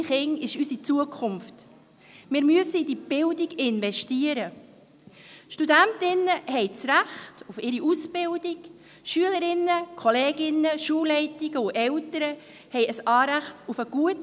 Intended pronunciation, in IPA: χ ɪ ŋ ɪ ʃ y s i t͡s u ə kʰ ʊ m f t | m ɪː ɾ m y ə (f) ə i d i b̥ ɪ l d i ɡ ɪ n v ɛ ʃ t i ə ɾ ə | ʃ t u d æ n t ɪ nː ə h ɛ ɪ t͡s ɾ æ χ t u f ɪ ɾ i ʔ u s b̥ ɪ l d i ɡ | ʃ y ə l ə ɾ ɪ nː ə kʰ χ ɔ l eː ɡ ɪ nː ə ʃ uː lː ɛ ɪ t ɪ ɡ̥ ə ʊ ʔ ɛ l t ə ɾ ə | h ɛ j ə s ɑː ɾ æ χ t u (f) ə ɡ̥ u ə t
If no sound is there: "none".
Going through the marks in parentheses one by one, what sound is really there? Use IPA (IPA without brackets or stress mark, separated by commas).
s, f